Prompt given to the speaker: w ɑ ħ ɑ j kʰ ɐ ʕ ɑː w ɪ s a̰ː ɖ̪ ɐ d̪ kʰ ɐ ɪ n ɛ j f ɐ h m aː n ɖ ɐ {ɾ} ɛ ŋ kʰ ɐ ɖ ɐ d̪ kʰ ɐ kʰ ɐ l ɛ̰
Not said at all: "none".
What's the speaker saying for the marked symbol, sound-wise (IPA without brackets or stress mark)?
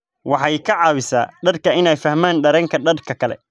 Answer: ɾ